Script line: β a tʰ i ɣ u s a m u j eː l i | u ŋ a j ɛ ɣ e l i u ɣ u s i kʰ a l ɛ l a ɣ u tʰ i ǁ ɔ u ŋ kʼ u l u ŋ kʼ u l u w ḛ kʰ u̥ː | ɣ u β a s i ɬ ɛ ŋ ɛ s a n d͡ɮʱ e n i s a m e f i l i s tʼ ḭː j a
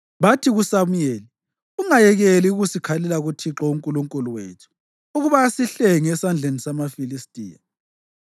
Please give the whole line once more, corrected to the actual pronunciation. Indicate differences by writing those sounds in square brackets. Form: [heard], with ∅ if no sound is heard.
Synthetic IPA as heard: β a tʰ i ɣ u s a m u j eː l i | u ŋ a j ɛ ɣ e l i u ɣ u s i kʰ a l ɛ l a ɣ u tʰ i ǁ ɔ u ŋ kʼ u l u ŋ kʼ u l u w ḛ [tʰ] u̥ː | ɣ u β a s i ɬ ɛ ŋ ɛ s a n d͡ɮʱ e n i s a m [a] f i l i s tʼ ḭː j a